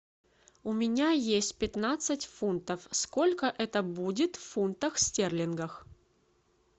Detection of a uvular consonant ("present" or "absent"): absent